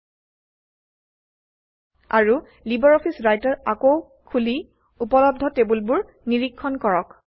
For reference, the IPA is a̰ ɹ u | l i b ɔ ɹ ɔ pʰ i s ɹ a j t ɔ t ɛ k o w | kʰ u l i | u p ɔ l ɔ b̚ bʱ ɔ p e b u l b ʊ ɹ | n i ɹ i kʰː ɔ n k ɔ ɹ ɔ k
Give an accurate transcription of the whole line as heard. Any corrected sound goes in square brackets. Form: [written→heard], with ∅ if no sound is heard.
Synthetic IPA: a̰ ɹ u | l i b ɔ ɹ ɔ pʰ i s ɹ a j t ɔ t [ɛ→a] k o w | kʰ u l i | u p ɔ l ɔ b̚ [bʱ→dʱ] ɔ [p→t] e b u l b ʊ ɹ | n i ɹ i kʰː ɔ n k ɔ ɹ ɔ k